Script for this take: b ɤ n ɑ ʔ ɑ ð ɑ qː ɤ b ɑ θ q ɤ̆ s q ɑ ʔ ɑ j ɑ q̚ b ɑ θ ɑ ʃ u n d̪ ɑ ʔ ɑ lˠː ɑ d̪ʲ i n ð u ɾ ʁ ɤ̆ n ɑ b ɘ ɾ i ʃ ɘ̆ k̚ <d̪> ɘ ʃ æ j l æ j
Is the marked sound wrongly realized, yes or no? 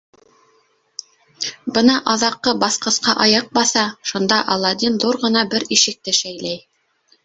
yes